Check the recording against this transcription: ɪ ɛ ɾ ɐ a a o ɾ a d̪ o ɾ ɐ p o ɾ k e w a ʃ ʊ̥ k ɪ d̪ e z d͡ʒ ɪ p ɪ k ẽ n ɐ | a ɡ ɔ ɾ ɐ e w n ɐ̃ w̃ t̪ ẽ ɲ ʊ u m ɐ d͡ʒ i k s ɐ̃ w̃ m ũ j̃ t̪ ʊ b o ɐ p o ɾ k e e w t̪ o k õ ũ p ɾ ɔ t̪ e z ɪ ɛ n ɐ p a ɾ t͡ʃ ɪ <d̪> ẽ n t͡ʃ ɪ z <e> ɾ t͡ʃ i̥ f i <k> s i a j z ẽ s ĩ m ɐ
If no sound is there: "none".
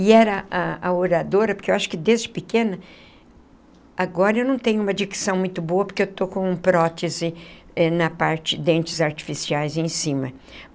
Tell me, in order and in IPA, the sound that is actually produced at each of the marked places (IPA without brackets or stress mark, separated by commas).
d̪, a, none